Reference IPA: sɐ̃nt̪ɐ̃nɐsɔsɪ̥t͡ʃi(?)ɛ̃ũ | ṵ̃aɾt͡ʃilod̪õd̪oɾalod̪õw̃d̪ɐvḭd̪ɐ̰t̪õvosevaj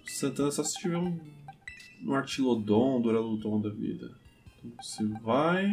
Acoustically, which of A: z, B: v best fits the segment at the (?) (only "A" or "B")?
B